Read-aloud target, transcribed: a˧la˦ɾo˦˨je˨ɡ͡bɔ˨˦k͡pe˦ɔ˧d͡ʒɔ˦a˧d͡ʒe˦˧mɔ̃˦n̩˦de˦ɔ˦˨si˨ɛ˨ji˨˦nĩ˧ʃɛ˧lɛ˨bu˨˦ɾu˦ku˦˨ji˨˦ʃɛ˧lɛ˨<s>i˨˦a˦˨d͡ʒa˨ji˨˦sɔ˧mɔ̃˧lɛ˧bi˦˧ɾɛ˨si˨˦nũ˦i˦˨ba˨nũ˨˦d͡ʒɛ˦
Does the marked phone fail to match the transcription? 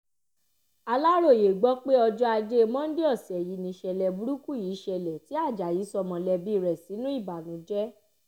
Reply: yes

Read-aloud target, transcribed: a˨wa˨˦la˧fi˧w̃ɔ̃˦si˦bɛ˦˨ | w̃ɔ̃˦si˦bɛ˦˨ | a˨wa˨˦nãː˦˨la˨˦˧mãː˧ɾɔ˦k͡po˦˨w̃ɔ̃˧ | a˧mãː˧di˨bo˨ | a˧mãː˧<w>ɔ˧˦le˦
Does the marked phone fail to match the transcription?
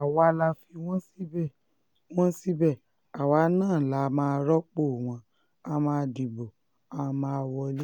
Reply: no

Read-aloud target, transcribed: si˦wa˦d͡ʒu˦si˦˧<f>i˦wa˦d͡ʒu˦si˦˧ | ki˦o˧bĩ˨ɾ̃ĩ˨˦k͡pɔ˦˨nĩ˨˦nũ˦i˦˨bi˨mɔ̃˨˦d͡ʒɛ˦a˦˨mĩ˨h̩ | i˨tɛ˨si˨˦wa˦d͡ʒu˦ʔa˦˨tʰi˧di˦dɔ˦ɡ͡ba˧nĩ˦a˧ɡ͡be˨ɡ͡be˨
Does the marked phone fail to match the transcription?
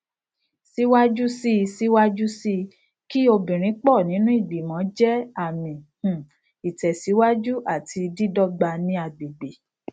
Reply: yes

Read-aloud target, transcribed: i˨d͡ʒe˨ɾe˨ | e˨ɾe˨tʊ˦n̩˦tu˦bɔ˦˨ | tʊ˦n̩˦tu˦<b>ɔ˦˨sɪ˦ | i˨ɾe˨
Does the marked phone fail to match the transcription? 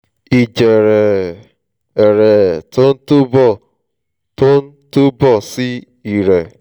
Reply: no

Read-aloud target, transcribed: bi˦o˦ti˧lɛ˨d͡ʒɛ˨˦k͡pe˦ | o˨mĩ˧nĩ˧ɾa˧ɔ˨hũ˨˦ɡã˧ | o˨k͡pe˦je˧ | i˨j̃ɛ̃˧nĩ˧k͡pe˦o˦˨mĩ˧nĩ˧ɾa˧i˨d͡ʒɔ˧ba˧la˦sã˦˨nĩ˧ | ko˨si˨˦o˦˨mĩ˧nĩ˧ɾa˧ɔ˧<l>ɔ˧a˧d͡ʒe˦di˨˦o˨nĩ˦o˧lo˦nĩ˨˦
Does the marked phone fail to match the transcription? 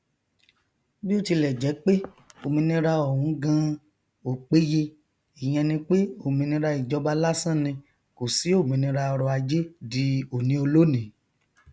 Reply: yes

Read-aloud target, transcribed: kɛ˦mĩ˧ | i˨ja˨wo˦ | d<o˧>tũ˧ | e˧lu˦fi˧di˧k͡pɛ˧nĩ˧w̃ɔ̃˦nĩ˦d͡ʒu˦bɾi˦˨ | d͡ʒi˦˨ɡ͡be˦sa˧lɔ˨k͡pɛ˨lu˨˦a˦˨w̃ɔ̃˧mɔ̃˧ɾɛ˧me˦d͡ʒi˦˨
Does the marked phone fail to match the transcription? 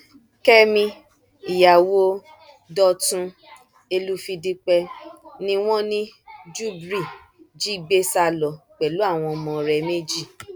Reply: yes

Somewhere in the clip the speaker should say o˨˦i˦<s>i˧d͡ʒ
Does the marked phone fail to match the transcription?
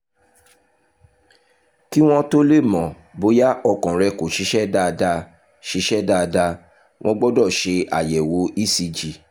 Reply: no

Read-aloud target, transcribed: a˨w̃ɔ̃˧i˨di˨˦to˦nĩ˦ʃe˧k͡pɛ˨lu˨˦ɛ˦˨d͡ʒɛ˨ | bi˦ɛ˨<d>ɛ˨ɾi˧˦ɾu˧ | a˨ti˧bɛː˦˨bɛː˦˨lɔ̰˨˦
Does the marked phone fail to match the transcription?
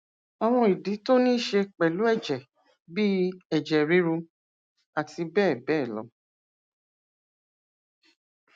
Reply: yes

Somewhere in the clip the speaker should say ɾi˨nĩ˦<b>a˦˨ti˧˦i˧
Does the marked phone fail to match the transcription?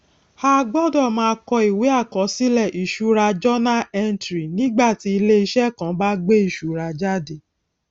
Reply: yes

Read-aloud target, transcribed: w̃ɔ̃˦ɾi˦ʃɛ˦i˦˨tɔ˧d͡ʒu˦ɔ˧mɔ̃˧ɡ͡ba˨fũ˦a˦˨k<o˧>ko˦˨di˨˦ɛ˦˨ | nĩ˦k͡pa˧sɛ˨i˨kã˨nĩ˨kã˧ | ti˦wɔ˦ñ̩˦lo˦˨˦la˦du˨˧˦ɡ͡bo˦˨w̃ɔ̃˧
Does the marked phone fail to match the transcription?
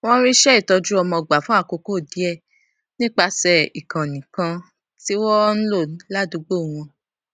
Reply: no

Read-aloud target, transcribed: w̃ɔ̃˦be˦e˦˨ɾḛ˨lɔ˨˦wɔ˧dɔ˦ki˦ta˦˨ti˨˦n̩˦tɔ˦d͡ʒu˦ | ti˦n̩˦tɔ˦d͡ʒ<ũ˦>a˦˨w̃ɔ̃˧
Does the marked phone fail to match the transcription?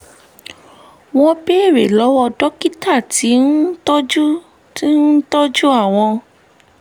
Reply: yes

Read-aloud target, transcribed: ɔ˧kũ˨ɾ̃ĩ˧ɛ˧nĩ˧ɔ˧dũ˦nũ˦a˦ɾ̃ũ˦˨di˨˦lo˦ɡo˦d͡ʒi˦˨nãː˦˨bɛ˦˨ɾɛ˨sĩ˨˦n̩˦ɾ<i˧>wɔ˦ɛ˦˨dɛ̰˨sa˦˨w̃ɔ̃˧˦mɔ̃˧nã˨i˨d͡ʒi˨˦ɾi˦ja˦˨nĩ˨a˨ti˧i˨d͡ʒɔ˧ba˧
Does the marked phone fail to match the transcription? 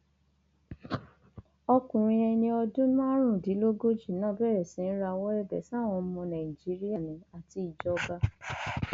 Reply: yes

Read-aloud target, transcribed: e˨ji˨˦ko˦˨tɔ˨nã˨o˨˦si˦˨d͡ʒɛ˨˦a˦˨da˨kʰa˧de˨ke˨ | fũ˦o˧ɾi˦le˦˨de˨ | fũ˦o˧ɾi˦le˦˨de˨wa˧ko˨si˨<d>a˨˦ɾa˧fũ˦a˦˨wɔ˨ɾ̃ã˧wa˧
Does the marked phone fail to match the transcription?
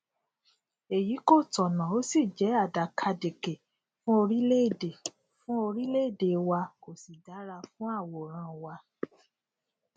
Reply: no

